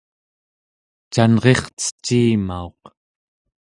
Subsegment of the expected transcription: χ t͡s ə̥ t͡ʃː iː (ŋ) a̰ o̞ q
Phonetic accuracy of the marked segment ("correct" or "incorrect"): incorrect